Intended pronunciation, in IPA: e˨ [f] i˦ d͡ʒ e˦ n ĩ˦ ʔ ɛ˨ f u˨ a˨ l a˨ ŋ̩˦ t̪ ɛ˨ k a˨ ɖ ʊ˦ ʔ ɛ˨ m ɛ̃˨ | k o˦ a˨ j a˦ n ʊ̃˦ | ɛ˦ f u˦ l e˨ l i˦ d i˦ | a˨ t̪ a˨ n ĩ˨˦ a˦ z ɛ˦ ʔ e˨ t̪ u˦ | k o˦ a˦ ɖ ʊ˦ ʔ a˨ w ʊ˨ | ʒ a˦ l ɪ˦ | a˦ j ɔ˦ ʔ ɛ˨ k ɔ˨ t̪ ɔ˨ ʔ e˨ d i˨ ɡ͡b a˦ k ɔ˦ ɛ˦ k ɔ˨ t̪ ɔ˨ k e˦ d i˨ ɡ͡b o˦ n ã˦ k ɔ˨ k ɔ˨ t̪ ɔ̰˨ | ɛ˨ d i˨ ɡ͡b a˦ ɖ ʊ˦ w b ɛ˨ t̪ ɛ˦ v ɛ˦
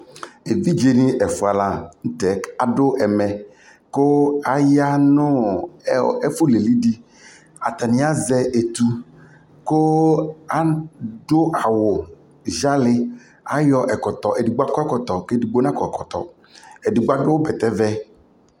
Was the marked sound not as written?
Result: yes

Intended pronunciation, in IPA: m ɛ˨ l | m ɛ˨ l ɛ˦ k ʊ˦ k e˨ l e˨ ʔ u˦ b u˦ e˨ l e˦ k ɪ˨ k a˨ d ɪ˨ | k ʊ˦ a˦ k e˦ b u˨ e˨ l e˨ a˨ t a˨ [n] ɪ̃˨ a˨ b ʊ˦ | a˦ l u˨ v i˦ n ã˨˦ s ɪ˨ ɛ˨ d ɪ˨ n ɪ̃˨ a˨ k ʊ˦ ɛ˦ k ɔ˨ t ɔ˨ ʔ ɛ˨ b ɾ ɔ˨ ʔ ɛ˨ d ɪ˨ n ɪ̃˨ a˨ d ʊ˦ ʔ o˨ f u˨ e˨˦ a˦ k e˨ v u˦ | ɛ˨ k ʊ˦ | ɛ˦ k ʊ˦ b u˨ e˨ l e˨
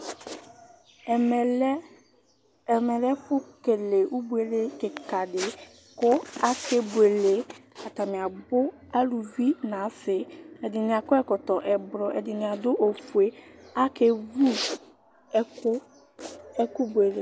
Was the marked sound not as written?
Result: yes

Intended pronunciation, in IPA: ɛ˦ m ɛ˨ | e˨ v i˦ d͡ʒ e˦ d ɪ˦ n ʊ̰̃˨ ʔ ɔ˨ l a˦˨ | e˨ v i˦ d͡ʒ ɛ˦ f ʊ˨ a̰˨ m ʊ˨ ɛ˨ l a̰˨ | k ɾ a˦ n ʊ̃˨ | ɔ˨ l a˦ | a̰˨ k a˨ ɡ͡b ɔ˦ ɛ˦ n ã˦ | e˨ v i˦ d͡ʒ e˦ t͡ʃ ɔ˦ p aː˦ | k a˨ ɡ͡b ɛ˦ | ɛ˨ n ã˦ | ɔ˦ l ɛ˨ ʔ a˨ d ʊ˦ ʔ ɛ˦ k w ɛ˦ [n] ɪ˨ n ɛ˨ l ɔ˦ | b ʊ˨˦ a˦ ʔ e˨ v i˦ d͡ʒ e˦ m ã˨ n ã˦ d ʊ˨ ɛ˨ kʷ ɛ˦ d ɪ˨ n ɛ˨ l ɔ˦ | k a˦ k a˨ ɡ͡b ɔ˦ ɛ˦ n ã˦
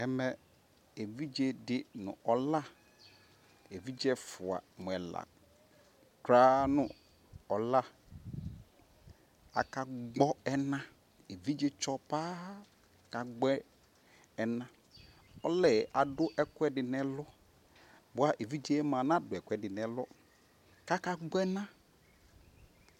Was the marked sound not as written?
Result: yes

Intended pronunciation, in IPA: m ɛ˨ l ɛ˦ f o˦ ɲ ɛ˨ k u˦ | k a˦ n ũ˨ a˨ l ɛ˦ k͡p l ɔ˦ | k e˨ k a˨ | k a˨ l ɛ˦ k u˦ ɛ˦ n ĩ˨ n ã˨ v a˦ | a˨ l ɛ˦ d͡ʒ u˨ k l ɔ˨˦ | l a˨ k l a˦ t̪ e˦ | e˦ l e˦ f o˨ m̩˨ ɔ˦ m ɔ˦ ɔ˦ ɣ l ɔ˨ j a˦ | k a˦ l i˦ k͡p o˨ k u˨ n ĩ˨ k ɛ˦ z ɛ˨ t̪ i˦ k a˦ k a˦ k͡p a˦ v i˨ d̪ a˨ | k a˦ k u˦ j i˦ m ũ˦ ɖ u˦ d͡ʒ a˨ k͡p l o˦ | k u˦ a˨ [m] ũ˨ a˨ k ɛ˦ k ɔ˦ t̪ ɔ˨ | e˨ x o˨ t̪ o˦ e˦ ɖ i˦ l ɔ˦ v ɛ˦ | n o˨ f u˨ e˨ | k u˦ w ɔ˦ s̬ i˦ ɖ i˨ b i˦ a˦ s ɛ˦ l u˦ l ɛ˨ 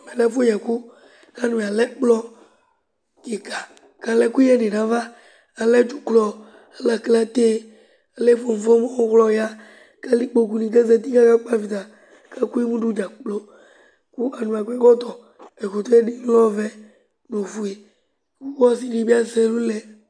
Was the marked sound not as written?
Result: yes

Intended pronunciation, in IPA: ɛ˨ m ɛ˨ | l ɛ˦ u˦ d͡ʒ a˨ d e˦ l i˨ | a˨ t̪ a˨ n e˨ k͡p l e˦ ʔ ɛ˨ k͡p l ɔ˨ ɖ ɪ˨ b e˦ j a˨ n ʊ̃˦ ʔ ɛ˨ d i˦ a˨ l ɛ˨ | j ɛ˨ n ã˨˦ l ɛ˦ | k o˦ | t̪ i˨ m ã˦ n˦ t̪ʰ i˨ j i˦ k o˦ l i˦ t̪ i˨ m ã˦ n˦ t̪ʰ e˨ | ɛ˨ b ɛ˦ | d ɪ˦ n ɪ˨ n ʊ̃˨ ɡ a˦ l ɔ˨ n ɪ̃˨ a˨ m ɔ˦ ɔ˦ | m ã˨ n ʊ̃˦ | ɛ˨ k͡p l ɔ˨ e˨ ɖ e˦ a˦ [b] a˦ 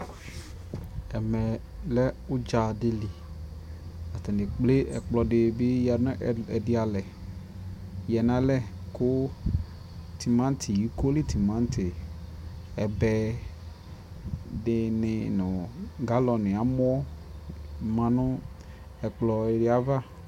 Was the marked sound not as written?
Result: yes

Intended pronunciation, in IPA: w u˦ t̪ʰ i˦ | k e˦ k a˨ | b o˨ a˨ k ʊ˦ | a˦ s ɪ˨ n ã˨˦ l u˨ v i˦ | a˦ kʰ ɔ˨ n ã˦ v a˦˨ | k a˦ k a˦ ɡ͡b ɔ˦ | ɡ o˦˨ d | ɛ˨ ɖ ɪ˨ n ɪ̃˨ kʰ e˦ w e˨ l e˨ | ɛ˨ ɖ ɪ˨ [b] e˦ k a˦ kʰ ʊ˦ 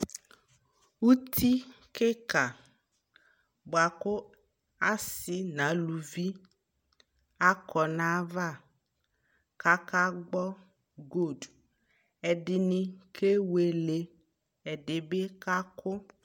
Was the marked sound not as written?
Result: no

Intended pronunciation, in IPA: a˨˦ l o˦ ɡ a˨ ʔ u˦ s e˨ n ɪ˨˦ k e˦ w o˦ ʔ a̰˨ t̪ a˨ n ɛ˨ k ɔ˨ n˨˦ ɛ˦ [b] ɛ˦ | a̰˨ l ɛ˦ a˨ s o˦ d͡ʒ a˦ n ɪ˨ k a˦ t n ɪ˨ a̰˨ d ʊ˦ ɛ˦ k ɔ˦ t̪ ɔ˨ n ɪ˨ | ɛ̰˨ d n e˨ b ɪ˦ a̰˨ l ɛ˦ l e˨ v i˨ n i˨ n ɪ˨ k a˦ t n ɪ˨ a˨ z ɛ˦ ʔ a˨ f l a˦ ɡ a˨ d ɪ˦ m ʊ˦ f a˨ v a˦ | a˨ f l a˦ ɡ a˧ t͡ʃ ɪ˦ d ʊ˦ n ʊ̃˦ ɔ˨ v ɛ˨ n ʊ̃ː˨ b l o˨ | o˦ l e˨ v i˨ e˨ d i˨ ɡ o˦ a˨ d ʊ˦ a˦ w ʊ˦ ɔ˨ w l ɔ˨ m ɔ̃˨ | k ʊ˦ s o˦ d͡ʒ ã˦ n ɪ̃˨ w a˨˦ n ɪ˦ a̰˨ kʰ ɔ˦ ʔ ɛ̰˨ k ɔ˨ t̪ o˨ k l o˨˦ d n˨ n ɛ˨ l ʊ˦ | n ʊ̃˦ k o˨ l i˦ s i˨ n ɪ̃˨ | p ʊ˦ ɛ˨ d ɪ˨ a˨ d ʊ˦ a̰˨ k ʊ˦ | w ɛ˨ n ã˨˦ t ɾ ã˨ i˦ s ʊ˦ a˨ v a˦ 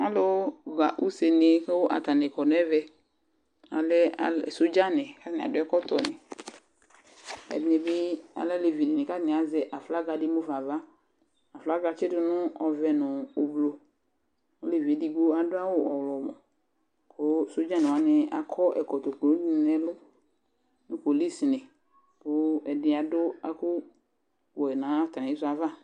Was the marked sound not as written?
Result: yes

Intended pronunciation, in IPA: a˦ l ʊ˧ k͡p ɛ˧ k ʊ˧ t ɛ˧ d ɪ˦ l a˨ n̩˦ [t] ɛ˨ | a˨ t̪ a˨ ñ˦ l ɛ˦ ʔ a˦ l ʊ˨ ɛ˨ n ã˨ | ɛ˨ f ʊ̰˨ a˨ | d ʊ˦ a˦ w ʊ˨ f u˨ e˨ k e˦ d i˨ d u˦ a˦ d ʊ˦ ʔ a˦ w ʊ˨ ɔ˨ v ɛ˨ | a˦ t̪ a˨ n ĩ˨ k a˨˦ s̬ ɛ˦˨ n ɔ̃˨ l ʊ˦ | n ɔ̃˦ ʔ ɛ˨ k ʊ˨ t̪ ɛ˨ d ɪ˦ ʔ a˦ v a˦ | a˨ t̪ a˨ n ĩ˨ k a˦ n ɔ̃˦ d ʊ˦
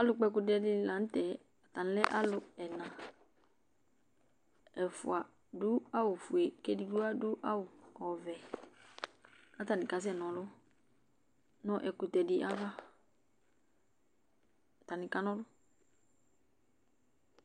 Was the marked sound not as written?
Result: no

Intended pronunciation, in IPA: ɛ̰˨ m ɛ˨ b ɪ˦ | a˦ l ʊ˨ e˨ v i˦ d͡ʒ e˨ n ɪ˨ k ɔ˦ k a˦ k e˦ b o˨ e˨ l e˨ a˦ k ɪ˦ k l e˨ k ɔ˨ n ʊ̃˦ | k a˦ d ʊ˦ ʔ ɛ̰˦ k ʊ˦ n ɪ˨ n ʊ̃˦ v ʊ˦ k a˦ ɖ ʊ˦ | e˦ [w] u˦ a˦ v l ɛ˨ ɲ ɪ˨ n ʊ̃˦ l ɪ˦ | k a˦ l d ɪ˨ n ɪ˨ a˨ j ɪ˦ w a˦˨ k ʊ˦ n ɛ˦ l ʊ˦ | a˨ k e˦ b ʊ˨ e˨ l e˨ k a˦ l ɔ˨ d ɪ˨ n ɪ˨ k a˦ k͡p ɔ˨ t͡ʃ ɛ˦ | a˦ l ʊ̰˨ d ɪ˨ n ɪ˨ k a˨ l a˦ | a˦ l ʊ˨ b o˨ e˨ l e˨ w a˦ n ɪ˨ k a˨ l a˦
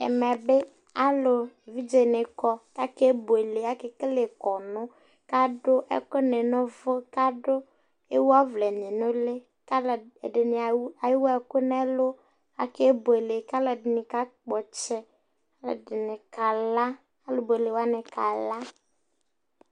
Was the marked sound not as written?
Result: no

